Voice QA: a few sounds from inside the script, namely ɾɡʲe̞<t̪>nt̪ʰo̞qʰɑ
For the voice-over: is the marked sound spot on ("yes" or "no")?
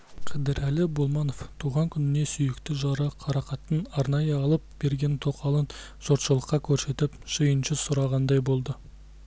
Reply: no